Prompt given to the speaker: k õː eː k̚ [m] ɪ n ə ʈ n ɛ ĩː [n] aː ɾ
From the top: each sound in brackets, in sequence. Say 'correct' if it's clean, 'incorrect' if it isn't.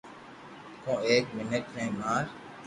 correct, incorrect

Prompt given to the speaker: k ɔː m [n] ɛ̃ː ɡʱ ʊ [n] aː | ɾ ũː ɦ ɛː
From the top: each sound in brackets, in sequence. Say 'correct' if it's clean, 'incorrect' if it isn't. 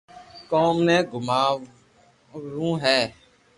correct, incorrect

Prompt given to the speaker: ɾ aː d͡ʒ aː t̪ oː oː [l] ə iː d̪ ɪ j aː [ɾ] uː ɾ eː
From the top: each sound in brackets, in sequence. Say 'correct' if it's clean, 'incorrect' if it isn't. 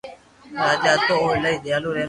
correct, incorrect

